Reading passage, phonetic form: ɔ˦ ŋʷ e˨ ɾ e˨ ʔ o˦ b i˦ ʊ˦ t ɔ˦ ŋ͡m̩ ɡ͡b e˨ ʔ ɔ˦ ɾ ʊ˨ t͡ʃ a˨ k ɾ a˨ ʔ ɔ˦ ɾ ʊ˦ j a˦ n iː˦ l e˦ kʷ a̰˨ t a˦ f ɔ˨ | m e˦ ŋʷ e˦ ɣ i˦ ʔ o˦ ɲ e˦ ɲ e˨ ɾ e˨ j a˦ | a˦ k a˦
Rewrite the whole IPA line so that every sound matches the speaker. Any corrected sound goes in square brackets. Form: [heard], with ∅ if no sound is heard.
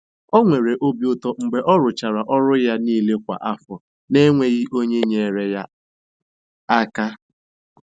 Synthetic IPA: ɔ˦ ŋʷ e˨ ɾ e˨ ʔ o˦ b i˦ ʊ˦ t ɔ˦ ŋ͡m̩ ɡ͡b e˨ ʔ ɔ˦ ɾ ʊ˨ t͡ʃ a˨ [∅] ɾ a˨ ʔ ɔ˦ ɾ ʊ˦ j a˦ n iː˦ l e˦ kʷ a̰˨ [ʔ] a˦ f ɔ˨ | [n] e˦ ŋʷ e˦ ɣ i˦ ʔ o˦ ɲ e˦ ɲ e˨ ɾ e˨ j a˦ | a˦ k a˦